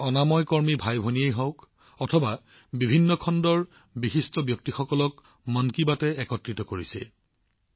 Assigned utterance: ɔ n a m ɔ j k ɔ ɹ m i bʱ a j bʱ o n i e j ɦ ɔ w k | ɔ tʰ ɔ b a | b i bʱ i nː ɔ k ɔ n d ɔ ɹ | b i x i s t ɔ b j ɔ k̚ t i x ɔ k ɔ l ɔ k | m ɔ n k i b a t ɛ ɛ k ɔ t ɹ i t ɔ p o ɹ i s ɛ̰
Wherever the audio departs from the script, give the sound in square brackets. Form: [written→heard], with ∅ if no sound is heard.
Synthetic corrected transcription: ɔ n a m ɔ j k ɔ ɹ m i bʱ a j bʱ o n i e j ɦ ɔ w k | ɔ tʰ ɔ b a | b i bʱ i nː ɔ [k→kʰ] ɔ n d ɔ ɹ | b i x i s t ɔ b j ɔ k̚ t i x ɔ k ɔ l ɔ k | m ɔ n k i b a t ɛ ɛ k ɔ t ɹ i t ɔ [p→k] o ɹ i s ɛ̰

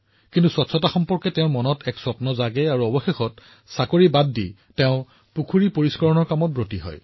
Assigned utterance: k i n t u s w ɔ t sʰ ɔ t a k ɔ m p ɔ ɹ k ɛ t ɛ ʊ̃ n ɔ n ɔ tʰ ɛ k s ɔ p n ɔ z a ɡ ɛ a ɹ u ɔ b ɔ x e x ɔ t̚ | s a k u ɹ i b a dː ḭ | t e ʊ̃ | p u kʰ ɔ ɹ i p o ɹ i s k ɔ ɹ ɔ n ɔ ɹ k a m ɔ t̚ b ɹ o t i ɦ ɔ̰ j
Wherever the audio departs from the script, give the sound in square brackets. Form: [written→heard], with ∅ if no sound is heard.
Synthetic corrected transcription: k i n t u s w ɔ t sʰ ɔ t a [k→x] ɔ m p ɔ ɹ k ɛ t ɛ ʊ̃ [n→m] ɔ n ɔ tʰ ɛ k s ɔ p n ɔ z a ɡ ɛ a ɹ u ɔ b ɔ x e x ɔ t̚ | s a k [u→o] ɹ i b a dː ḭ | t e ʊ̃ | p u kʰ [ɔ→u] ɹ i p o ɹ i s k ɔ ɹ ɔ n ɔ ɹ k a m ɔ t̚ b ɹ o t i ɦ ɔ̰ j

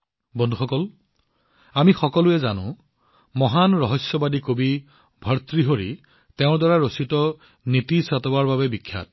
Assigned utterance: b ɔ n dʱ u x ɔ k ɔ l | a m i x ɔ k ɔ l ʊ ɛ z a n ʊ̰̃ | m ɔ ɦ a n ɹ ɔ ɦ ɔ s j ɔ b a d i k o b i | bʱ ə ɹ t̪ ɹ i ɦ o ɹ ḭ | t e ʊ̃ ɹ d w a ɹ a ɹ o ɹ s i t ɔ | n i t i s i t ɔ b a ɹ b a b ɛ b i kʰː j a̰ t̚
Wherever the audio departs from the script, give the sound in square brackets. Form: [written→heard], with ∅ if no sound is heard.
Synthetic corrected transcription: b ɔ n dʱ u x ɔ k ɔ l | a m i x ɔ k ɔ l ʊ ɛ z a n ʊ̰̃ | m ɔ ɦ a n ɹ ɔ ɦ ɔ s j ɔ b a d i k o b i | bʱ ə ɹ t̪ ɹ i ɦ o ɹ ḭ | t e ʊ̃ ɹ d w a ɹ a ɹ o [ɹ→∅] s i t ɔ | n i t i s [i→a] t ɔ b a ɹ b a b ɛ b i kʰː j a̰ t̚

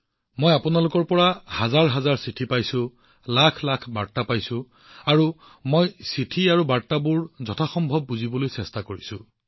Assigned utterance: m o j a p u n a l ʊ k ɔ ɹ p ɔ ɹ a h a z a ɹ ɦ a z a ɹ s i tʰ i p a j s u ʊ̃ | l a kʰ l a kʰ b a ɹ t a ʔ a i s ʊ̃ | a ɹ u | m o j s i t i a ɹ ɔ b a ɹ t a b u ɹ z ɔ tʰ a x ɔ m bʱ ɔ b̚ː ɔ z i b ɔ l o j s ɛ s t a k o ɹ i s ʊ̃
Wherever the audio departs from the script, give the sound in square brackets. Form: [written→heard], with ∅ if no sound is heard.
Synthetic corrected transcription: m o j a p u n a l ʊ k ɔ ɹ p ɔ ɹ a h a z a ɹ ɦ a z a ɹ s i tʰ i p a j s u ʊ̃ | l a kʰ l a kʰ b a ɹ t a [ʔ→p] a [i→j] s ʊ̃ | a ɹ u | m o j s i [t→tʰ] i a ɹ [ɔ→u] b a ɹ t a b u ɹ z ɔ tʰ a x ɔ m bʱ ɔ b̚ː [ɔ→u] z i b ɔ l o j s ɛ s t a k o ɹ i s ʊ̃

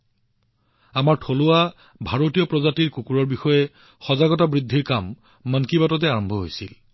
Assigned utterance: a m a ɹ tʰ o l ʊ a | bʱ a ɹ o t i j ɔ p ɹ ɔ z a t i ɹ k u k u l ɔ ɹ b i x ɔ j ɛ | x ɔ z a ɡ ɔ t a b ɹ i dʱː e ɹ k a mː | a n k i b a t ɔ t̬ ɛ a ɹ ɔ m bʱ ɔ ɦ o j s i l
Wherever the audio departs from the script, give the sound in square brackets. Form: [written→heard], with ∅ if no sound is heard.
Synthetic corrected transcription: a m a ɹ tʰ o l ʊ a | bʱ a ɹ o t i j ɔ p ɹ ɔ z a t i ɹ k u k u [l→ɹ] ɔ ɹ b i x ɔ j ɛ | x ɔ z a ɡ ɔ t a b ɹ i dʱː [e→i] ɹ k a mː | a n k i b a t ɔ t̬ ɛ a ɹ ɔ m bʱ ɔ ɦ o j s i l

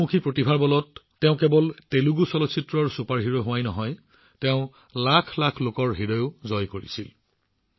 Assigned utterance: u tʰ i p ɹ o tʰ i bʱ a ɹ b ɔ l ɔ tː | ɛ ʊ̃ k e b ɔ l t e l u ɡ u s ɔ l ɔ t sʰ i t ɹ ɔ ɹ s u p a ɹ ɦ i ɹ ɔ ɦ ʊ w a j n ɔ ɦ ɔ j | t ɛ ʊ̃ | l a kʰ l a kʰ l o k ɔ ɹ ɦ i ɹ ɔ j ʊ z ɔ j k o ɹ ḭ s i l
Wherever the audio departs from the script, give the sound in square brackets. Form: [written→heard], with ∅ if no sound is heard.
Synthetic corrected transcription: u [tʰ→kʰ] i p ɹ o [tʰ→t] i bʱ a ɹ b ɔ l ɔ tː | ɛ ʊ̃ k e b ɔ l t e l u ɡ u s ɔ l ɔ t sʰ i t ɹ ɔ ɹ s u p a ɹ ɦ i ɹ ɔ ɦ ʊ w a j n ɔ ɦ ɔ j | t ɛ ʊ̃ | l a kʰ l a kʰ l o k ɔ ɹ ɦ i ɹ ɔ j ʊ z ɔ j k o ɹ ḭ s i l

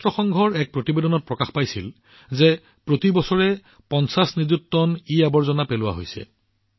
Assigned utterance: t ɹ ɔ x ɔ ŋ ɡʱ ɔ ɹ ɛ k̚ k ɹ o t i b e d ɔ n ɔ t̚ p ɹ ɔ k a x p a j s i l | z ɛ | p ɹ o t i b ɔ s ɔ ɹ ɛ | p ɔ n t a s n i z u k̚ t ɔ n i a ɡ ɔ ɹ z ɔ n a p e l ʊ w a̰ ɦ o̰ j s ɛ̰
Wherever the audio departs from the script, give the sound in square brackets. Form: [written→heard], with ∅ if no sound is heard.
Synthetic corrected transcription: t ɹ ɔ x ɔ ŋ ɡʱ ɔ ɹ ɛ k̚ [k→p] ɹ o t i b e d ɔ n ɔ t̚ p ɹ ɔ k a x p a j s i l | z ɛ | p ɹ o t i b ɔ s ɔ ɹ ɛ | p ɔ n [t→s] a s n i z u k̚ t ɔ n i a [ɡ→b] ɔ ɹ z ɔ n a p e l ʊ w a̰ ɦ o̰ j s ɛ̰

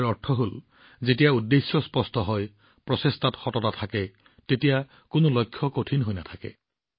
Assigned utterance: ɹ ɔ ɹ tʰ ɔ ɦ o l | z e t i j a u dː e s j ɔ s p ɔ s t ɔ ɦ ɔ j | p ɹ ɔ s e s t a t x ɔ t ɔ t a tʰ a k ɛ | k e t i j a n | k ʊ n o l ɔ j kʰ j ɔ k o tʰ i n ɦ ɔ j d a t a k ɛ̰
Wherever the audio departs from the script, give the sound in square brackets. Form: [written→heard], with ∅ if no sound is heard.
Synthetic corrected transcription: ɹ ɔ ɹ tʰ ɔ ɦ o l | z e t i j a u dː e s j ɔ s p ɔ s t ɔ ɦ ɔ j | p ɹ ɔ s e s t a t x ɔ t ɔ t a tʰ a k ɛ | [k→t] e t i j a [n→∅] | k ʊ n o l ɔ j kʰ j ɔ k o tʰ i n ɦ [ɔ→o] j [d→n] a [t→tʰ] a k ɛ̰

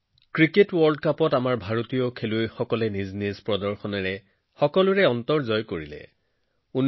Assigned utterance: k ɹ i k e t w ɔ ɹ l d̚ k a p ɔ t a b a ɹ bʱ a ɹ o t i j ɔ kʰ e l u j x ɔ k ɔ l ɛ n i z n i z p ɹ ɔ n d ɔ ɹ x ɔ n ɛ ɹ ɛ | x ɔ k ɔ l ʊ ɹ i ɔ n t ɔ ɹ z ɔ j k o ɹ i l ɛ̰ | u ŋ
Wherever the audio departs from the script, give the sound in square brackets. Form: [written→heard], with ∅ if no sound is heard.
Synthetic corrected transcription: k ɹ i k e t w ɔ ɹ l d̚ k a p ɔ t a [b→m] a ɹ bʱ a ɹ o t i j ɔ kʰ e l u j x ɔ k ɔ l ɛ n i z n i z p ɹ ɔ [n→∅] d ɔ ɹ x ɔ n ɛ ɹ ɛ | x ɔ k ɔ l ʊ ɹ [i→ɛ] ɔ n t ɔ ɹ z ɔ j k o ɹ i l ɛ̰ | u [ŋ→n]

